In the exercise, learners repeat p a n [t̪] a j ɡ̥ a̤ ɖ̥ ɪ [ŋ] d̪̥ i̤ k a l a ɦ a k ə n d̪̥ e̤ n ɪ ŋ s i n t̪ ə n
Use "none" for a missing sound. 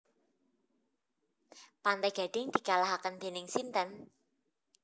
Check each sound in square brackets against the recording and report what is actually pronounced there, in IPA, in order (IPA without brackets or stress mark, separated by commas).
t̪, ŋ